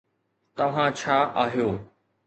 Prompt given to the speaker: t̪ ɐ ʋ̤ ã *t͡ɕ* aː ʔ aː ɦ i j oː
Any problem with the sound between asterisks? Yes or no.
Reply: yes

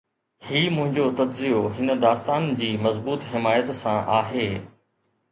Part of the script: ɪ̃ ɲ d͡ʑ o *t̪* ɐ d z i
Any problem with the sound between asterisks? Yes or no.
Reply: no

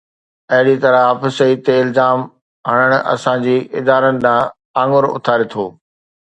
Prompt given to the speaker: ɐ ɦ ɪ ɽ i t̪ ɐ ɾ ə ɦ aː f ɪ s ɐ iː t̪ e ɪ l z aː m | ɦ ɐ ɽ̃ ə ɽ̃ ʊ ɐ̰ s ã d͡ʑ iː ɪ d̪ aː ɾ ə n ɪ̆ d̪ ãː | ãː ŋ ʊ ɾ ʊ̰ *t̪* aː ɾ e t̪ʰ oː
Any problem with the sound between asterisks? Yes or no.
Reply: yes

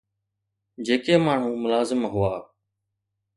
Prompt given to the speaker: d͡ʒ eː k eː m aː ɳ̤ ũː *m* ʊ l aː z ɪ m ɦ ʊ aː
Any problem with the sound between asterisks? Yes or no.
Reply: no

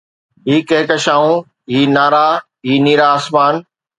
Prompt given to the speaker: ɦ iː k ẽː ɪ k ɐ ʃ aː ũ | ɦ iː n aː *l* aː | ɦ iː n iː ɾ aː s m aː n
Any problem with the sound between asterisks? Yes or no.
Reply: yes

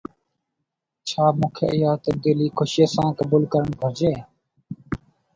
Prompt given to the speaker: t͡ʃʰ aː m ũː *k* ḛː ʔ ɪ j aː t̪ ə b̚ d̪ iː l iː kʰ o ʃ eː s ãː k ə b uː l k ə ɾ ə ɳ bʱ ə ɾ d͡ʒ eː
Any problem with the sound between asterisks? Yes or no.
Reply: yes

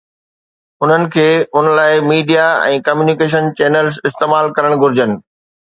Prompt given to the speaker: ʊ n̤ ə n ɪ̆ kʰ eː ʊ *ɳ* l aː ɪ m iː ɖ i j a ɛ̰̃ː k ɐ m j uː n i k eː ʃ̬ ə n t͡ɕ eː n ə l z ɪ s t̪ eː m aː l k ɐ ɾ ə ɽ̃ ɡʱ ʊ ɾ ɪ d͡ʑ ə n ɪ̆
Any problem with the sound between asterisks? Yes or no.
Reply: yes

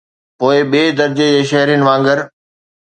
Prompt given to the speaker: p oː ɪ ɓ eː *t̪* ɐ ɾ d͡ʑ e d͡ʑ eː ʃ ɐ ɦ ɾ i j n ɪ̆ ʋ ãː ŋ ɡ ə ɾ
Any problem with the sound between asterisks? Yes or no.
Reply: yes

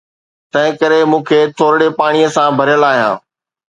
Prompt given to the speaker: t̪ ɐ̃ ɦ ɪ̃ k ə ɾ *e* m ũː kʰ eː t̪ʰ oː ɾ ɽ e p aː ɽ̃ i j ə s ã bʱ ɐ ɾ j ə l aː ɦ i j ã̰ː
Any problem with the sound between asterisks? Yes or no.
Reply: no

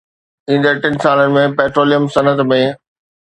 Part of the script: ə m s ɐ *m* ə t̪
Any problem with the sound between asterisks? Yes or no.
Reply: yes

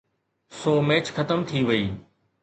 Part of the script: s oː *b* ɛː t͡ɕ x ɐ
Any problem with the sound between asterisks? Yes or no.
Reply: yes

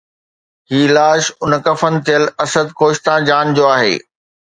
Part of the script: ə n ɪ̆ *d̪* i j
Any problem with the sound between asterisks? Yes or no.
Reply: yes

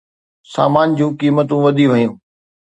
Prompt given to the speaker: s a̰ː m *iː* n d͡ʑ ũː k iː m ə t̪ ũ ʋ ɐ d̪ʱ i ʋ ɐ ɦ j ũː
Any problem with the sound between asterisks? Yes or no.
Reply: yes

